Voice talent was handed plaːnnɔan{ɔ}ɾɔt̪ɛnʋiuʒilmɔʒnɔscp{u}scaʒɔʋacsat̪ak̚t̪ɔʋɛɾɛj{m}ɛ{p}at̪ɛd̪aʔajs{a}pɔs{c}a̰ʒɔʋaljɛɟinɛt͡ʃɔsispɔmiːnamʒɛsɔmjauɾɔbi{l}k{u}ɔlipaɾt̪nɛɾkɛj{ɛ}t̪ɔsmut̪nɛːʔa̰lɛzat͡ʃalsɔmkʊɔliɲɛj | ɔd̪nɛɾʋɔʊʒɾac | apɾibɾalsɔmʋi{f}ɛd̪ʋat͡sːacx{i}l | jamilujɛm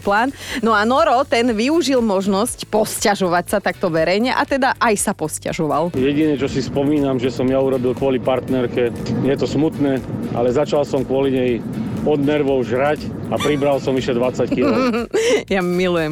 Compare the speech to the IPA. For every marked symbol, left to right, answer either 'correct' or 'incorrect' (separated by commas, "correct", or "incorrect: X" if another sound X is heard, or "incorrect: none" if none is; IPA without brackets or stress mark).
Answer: correct, incorrect: ɔ, incorrect: ɲ, incorrect: ʔ, correct, correct, correct, incorrect: ʊ, correct, incorrect: ʃ, correct